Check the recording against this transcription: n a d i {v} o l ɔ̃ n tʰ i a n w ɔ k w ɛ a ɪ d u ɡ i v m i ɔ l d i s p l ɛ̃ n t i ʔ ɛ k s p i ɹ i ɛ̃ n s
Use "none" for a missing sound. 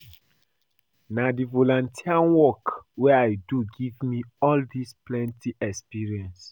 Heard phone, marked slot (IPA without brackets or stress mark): v